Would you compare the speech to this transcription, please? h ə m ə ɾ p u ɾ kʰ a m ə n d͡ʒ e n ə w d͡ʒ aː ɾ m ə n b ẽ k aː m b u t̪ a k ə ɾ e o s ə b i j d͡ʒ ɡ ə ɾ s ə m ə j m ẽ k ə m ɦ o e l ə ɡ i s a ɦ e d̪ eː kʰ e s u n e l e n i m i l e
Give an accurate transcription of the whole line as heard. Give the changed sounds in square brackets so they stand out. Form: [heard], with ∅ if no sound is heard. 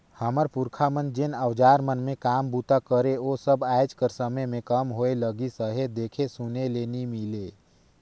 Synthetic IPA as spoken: h ə m ə ɾ p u ɾ kʰ a m ə n d͡ʒ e n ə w d͡ʒ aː ɾ m ə n [m] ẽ k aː m b u t̪ a k ə ɾ e o s ə b [a] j d͡ʒ [k] ə ɾ s ə m ə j m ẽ k ə m ɦ o e l ə ɡ i s [ə] ɦ e d̪ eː kʰ e s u n e l e n i m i l e